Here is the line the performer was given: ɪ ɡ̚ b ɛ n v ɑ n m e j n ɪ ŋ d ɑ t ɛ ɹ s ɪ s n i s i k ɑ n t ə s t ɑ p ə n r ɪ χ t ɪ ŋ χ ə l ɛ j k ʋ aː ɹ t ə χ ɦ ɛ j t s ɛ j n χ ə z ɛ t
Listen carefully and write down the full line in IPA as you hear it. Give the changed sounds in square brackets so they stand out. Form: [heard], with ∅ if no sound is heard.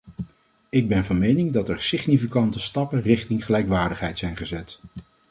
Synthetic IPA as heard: ɪ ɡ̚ b ɛ n v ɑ n m e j n ɪ ŋ d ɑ t ɛ ɹ s ɪ [χ] n i [f] i k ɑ n t ə s t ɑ p ə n r ɪ χ t ɪ ŋ χ ə l ɛ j k ʋ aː ɹ [d] ə χ ɦ ɛ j t s ɛ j n χ ə z ɛ t